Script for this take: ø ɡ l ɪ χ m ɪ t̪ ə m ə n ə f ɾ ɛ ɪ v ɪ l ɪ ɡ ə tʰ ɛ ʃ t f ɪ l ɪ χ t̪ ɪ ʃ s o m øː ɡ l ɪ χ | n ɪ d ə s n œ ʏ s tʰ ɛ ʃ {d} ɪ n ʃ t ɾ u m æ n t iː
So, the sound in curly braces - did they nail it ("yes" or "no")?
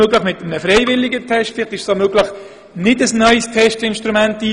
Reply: no